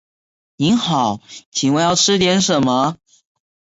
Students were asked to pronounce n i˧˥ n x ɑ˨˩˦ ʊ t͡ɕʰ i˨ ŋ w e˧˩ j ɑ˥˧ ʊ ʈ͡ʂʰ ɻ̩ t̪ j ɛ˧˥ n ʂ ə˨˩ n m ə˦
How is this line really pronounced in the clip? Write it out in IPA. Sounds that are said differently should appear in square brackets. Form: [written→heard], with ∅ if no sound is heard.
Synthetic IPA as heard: n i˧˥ n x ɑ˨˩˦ ʊ t͡ɕʰ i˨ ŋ w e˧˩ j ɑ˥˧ ʊ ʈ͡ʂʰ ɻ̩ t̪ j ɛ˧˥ n ʂ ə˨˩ n m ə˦